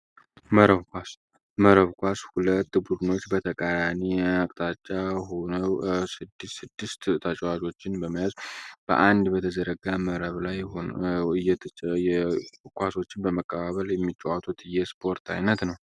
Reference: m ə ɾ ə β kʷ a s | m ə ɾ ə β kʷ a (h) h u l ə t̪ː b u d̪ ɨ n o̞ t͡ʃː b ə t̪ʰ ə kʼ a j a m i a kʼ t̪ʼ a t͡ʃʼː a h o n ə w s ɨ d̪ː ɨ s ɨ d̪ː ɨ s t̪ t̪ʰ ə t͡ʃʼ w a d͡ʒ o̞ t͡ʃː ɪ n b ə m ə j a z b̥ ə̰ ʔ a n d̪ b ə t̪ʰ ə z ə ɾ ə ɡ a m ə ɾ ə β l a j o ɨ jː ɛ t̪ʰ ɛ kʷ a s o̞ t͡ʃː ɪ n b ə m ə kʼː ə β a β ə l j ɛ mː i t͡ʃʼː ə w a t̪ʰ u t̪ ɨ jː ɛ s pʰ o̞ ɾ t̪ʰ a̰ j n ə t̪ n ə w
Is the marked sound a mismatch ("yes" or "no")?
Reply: yes